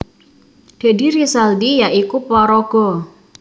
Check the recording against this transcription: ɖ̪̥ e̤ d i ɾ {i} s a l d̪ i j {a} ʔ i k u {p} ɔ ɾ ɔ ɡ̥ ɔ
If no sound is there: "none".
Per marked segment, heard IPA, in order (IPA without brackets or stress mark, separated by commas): i, a, p